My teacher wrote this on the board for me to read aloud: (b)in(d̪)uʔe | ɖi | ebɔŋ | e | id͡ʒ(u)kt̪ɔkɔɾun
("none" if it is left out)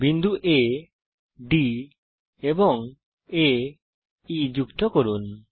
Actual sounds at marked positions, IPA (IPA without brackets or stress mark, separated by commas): b, d̪, u